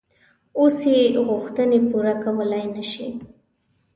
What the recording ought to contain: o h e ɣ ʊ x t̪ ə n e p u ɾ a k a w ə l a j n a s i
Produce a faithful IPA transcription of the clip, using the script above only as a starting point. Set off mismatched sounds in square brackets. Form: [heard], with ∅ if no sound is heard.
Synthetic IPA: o [s] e ɣ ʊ x t̪ ə n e p u ɾ a k a w ə l a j n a [ʃ] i

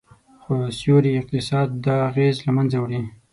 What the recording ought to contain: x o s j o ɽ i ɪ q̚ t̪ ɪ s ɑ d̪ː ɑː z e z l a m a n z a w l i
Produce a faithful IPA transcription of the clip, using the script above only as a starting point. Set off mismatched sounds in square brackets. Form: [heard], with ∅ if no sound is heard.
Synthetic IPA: x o s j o [ɾ] i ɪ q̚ t̪ ɪ s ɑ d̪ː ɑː [ɣ] e z l a m a n z a w [ɽ] i

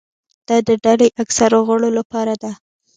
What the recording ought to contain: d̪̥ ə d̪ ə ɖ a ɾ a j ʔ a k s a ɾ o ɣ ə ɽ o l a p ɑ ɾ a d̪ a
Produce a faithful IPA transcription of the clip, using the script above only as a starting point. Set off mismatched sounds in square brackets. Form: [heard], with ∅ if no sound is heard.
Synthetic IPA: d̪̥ [ɑ] d̪ ə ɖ a [l] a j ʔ a k s a ɾ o ɣ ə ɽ o l a p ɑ ɾ a d̪ a

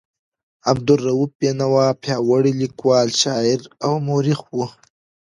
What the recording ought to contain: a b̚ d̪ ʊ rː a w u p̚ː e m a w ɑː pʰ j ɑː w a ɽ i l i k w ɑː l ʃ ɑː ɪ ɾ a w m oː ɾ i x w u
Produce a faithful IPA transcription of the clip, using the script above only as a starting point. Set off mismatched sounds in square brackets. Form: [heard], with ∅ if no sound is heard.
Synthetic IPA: a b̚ d̪ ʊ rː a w u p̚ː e [n] a w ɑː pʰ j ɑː w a ɽ i l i k w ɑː l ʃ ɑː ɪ ɾ a w m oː ɾ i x w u

